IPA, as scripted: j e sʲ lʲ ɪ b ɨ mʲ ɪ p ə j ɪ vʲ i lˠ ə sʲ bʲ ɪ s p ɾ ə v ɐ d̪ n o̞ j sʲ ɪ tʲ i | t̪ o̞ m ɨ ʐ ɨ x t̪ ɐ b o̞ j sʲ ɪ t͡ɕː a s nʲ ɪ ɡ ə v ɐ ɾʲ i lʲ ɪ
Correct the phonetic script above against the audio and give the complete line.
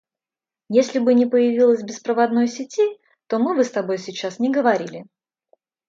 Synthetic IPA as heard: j e sʲ lʲ ɪ b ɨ nʲ ɪ p ə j ɪ vʲ i lˠ ə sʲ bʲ ɪ s p ɾ ə v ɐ d̪ n o̞ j sʲ ɪ tʲ i | t̪ o̞ m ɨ v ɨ s t̪ ɐ b o̞ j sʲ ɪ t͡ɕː a s nʲ ɪ ɡ ə v ɐ ɾʲ i lʲ ɪ